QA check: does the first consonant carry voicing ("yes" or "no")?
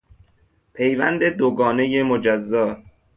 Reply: no